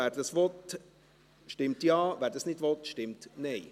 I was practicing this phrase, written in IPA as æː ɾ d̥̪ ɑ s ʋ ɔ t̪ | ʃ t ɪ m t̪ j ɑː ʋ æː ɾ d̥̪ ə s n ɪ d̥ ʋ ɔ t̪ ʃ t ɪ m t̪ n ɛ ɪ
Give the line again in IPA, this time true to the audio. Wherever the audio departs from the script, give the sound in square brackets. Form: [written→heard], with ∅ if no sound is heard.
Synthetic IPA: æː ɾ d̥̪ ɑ s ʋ ɔ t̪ | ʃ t ɪ m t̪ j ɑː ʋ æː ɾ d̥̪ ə s n ɪ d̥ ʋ ɔ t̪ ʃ t ɪ m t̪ n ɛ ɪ